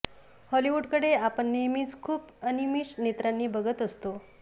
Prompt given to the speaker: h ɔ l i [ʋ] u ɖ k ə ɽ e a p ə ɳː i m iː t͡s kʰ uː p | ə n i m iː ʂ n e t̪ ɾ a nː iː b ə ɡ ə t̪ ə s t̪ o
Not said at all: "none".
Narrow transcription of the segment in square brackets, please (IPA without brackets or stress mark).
ʋ